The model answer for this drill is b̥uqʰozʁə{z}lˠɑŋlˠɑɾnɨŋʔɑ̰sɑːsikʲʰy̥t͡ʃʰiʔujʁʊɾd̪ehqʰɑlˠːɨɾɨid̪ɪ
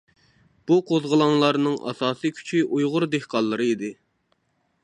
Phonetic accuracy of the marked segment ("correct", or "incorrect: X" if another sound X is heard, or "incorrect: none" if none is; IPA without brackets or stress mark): incorrect: none